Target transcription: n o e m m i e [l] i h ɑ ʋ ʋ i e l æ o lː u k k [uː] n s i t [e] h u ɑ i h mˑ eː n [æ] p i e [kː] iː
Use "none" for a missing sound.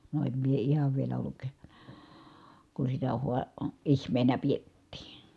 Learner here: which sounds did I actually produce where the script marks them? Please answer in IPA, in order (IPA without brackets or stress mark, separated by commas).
none, u, æ, æ, tː